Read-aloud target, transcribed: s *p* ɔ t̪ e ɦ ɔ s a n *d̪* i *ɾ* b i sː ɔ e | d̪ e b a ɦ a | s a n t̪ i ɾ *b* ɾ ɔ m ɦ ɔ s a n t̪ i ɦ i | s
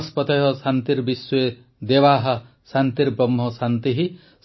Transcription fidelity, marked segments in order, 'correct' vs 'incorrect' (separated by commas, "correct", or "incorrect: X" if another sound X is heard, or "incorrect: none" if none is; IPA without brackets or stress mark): correct, incorrect: t̪, correct, correct